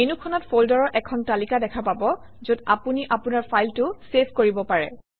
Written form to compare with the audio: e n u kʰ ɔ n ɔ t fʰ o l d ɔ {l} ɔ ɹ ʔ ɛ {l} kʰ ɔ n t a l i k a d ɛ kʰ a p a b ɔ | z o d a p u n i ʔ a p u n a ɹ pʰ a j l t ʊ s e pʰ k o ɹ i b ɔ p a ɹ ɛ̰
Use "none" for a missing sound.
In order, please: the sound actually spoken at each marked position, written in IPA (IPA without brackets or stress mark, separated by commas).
ɹ, none